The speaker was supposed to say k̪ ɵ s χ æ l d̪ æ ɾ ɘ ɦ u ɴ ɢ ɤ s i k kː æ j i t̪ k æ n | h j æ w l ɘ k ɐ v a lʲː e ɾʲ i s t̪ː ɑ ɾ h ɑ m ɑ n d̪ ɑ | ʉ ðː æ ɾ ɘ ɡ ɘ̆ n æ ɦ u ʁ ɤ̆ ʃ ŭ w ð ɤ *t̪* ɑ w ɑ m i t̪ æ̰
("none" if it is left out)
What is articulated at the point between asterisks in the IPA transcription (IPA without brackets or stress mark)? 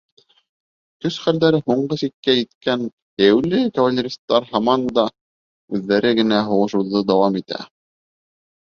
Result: d̪